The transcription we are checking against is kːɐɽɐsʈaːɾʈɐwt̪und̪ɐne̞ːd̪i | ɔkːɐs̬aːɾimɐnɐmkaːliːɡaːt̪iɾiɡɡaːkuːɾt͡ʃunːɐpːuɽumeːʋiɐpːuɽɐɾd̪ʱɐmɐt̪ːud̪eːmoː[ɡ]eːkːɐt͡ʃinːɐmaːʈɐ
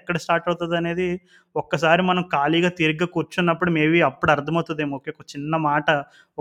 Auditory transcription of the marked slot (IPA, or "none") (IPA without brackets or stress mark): k